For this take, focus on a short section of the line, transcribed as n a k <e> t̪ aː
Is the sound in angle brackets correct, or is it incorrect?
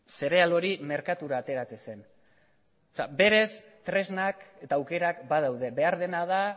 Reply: correct